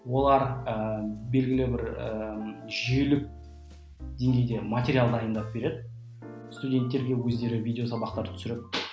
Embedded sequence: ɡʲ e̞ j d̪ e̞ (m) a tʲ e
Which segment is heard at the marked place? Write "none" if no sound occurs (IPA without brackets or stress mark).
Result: m